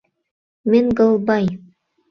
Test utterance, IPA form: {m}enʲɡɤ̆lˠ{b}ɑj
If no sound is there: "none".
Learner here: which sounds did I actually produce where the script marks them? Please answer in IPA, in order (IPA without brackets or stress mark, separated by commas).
m, b